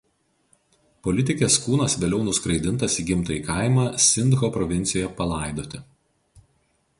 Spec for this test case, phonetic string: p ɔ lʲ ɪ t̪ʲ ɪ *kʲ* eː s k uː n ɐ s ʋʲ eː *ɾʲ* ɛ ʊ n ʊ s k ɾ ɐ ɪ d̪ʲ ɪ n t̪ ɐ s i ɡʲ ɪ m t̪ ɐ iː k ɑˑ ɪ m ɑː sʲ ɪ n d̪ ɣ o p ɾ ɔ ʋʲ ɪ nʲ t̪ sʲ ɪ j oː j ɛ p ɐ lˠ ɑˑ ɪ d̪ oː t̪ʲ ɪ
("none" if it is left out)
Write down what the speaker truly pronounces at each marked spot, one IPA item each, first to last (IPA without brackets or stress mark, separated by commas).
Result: kʲ, lʲ